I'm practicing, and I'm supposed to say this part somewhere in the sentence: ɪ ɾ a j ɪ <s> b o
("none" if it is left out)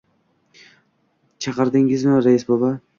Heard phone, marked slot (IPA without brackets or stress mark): s